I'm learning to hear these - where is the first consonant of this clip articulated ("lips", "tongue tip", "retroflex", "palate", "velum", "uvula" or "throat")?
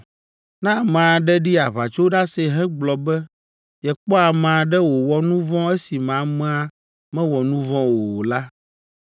tongue tip